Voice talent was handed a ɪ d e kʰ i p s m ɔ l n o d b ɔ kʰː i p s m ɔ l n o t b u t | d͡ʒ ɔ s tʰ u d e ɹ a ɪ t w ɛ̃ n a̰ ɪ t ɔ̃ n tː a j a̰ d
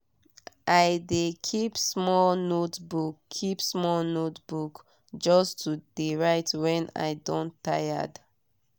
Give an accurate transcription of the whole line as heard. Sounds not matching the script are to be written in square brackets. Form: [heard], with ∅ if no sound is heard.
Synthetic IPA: a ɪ d e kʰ i p s m ɔ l n o [t] b [u] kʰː i p s m ɔ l n o t b u [k] | d͡ʒ ɔ s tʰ u d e ɹ a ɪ t w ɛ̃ n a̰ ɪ [d] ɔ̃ n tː a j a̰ d